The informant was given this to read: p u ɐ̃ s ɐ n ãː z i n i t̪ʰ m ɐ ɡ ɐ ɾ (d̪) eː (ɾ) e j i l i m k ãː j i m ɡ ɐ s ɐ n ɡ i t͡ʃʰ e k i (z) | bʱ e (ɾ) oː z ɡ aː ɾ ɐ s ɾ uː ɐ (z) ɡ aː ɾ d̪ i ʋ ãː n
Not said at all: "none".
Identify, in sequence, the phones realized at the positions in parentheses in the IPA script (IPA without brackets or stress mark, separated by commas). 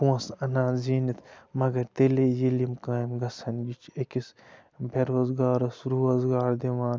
t̪, l, s, ɾ, z